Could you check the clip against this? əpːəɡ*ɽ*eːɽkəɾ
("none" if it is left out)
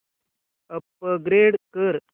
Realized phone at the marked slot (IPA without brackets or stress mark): ɾ